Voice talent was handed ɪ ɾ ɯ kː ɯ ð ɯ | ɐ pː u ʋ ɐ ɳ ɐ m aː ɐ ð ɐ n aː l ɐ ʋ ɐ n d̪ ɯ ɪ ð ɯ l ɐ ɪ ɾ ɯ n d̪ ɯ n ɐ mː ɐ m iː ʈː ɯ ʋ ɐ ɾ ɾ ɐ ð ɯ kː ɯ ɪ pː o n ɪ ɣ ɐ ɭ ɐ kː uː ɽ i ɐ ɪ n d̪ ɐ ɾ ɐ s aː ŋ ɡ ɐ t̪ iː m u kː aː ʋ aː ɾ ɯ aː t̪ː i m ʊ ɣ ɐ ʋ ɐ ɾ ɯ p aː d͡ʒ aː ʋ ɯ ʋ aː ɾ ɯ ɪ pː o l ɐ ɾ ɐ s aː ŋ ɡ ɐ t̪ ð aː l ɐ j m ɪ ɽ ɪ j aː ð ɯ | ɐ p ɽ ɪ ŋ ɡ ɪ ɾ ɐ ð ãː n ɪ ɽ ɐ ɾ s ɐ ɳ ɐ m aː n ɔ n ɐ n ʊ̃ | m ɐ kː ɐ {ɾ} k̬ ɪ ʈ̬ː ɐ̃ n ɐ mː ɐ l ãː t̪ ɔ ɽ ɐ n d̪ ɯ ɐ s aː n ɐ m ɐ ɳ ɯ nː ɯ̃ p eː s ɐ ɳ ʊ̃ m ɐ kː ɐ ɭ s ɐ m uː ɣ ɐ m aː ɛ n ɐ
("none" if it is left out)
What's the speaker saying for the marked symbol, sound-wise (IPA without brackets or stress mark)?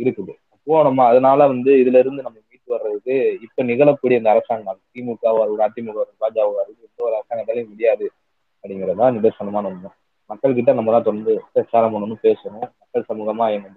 ɭ